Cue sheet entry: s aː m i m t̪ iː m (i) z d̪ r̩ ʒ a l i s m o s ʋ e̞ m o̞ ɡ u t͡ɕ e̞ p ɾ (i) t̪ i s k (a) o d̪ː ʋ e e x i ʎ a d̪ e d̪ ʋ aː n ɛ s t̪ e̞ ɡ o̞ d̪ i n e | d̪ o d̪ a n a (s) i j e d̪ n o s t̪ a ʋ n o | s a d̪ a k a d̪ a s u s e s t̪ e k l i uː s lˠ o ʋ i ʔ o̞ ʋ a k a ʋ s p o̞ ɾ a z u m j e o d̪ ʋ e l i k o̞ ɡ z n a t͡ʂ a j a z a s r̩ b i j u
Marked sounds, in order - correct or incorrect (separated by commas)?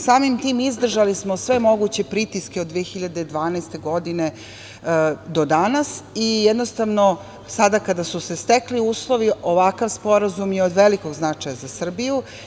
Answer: correct, correct, incorrect, correct